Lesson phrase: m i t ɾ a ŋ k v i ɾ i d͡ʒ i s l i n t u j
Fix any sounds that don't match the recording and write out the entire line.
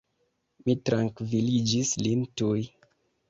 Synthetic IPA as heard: m i t ɾ a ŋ k v i l i d͡ʒ i s l i n t u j